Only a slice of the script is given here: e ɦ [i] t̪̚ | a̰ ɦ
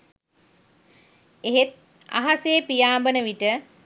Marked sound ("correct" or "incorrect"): incorrect